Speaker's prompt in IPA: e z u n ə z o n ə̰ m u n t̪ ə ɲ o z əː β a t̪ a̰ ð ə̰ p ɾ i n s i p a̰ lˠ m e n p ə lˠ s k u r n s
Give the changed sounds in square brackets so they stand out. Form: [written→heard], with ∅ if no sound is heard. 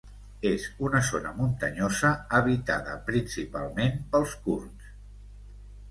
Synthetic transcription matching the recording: e z u n ə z o n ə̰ m u n t̪ ə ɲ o z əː β [a→i] t̪ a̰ ð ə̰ p ɾ i n s i p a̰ lˠ m e n p ə lˠ s k u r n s